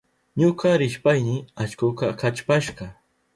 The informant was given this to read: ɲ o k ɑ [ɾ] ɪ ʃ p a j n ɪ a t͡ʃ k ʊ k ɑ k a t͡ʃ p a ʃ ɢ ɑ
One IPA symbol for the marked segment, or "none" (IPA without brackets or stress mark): ɾ